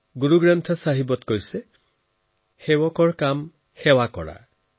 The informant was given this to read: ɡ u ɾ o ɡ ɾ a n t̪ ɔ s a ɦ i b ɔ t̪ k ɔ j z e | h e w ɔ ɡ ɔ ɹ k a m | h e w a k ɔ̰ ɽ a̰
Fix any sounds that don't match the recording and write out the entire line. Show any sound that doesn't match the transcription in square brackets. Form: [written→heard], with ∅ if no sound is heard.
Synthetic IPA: ɡ u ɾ [o→u] ɡ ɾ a n [t̪→t̪ʰ] ɔ s a ɦ i b ɔ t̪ k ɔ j [z→s] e | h e w ɔ [ɡ→k] ɔ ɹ k a m | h e w a k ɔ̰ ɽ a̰